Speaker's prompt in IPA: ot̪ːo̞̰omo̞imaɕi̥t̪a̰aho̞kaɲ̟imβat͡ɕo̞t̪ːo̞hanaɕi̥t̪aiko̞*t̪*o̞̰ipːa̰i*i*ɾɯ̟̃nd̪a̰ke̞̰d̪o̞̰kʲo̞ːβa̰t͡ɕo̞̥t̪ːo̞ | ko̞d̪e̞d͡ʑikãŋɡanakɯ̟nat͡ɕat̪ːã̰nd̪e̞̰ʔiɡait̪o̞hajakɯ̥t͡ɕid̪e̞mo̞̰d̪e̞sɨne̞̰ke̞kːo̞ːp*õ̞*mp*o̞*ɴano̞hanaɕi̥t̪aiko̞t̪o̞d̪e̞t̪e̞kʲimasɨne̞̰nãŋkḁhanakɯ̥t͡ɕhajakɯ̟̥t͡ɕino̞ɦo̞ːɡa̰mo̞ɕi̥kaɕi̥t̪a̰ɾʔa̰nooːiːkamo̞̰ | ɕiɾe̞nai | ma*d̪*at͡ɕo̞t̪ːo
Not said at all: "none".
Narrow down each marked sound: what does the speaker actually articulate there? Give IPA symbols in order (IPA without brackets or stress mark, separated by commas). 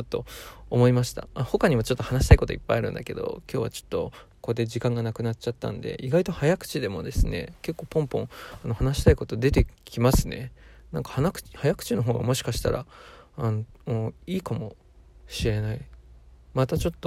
t̪, a, õ̞, õ̞, t̪